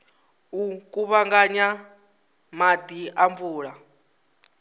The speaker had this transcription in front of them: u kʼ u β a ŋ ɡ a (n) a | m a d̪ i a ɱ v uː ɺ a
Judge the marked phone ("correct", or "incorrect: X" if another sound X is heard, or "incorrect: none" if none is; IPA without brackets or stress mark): incorrect: ɲ